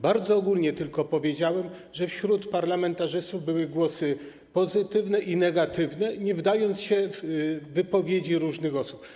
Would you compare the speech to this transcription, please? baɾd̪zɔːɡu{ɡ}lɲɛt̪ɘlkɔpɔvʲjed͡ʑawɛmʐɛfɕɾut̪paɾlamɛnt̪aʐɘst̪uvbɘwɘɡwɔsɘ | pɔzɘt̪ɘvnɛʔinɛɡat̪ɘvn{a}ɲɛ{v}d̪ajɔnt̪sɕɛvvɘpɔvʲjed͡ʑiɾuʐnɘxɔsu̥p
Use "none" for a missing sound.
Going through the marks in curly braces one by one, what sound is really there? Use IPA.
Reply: none, ɛ, v

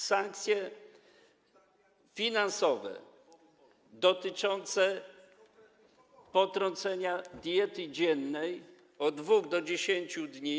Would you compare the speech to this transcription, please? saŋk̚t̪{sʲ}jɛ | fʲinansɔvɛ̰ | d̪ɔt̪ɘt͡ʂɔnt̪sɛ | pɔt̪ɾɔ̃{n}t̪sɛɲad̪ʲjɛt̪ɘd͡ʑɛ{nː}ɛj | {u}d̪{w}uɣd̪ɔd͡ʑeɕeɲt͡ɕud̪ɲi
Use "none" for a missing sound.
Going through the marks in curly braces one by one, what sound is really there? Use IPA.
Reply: sʲ, n, nː, ɔ, v

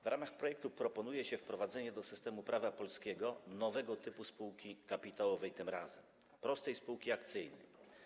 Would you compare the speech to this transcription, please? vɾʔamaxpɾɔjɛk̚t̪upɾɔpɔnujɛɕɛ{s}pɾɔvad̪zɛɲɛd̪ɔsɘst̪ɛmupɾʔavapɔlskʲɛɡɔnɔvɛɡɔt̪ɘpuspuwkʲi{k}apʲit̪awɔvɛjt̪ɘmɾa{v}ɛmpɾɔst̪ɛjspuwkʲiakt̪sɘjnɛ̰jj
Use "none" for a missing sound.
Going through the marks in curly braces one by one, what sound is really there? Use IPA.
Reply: f, k, z

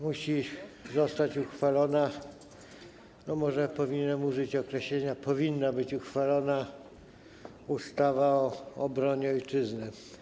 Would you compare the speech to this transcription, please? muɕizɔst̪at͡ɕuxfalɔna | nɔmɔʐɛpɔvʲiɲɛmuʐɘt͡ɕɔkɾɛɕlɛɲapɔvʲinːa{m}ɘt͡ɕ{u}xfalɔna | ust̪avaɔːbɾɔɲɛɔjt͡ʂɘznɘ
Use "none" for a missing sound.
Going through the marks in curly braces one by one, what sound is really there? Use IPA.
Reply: b, u

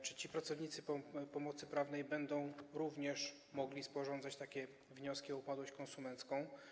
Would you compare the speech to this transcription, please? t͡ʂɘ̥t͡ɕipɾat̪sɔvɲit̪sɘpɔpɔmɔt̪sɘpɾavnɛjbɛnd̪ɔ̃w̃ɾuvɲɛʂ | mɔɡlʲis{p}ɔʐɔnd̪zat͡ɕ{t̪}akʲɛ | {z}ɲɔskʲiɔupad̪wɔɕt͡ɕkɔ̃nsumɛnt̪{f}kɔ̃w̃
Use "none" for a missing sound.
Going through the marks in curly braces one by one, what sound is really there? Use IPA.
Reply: p, t̪, v, s

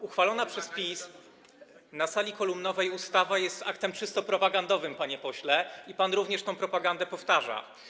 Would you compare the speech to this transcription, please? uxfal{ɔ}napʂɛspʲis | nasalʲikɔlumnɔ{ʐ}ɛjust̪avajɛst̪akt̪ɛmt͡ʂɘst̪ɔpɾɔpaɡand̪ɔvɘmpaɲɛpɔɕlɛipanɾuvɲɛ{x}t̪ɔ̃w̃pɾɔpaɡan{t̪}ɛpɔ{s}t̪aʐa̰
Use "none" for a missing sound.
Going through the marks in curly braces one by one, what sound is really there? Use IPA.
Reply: ɔ, v, ʂ, d̪, f

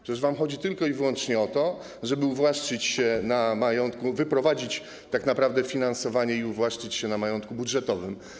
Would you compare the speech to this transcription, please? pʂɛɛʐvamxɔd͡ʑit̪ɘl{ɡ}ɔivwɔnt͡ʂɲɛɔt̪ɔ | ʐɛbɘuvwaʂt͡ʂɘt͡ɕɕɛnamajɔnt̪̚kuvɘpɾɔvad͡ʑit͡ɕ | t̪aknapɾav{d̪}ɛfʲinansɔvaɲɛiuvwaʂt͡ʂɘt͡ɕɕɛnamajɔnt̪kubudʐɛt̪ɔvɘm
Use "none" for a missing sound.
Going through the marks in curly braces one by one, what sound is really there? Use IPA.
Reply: k, d̪

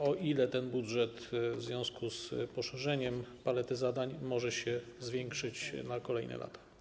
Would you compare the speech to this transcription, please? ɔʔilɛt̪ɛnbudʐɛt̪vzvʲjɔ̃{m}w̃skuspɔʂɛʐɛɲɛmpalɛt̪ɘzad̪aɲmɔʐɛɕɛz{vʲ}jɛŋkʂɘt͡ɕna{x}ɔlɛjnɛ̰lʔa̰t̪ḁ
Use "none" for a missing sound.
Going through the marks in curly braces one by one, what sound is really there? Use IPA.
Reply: none, vʲ, k

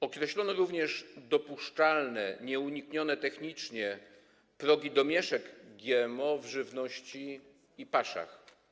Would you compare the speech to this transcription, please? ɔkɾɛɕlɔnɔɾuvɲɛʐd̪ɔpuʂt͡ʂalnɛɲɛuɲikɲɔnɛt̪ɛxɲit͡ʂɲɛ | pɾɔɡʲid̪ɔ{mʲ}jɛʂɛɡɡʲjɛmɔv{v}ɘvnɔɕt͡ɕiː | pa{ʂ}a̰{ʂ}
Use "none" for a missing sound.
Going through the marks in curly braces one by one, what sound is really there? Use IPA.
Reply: mʲ, ʐ, ʂ, x

